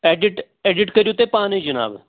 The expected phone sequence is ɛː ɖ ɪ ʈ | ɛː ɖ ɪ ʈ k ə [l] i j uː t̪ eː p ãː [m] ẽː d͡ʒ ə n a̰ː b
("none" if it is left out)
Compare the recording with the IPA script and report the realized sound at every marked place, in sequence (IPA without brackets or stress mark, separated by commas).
ɾ, n